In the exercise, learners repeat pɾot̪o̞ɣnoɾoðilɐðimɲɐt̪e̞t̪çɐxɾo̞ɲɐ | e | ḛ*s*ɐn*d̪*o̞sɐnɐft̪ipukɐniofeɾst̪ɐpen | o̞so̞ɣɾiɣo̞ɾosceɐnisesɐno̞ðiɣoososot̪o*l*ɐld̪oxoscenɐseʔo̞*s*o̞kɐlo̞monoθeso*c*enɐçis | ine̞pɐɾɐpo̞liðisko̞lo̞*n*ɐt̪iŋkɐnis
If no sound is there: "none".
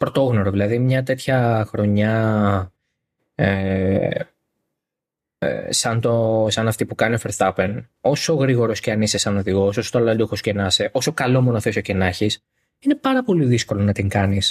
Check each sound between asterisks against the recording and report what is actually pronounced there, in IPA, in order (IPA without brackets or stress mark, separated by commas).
s, t̪, l, s, c, n